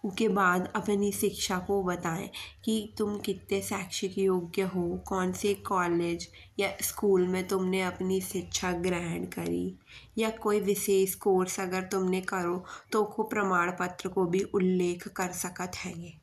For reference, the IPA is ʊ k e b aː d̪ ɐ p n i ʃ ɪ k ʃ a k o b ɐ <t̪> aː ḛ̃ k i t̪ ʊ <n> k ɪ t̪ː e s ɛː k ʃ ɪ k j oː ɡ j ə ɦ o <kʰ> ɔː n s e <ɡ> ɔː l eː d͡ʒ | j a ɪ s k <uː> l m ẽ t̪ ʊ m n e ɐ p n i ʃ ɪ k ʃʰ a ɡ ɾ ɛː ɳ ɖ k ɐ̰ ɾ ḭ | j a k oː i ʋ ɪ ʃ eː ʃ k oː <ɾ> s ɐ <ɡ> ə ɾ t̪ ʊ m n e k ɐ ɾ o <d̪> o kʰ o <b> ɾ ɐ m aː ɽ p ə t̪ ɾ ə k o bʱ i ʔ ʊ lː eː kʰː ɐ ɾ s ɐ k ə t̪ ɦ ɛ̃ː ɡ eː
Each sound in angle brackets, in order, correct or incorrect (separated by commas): correct, incorrect, incorrect, incorrect, correct, correct, correct, incorrect, incorrect